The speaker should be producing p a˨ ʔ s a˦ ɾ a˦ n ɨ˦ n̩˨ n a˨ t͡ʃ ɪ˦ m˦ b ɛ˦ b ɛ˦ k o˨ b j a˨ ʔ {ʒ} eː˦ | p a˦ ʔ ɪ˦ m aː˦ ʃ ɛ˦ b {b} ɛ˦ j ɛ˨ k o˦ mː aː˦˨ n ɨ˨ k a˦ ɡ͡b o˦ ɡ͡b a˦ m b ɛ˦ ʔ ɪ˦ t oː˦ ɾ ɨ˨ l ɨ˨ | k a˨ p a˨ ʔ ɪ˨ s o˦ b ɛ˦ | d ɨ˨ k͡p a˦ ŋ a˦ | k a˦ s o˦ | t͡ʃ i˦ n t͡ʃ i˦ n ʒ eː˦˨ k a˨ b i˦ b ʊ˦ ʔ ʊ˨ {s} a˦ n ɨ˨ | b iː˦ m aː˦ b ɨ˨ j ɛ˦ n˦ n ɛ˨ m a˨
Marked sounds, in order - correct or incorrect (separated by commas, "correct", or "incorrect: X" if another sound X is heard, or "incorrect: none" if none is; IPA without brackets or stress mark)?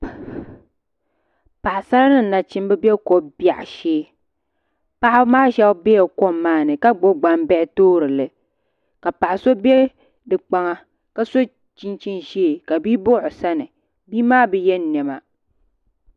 incorrect: ʃ, correct, correct